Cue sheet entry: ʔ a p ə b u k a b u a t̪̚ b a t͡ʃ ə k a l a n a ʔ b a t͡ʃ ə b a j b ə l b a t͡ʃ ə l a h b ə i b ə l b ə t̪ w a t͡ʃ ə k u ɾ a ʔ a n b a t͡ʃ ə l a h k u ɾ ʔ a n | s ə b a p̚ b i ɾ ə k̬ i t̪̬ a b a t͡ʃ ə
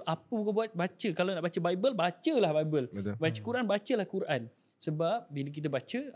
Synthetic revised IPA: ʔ a p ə b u k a b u a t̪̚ b a t͡ʃ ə k a l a n a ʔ b a t͡ʃ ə b a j b ə l b a t͡ʃ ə l a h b a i b ə l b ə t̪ b a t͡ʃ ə k u ɾ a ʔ a n b a t͡ʃ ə l a h k u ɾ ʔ a n | s ə b a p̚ b i l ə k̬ i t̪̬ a b a t͡ʃ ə